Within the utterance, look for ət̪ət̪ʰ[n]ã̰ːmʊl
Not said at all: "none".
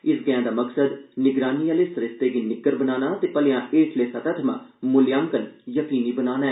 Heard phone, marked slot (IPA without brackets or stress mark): m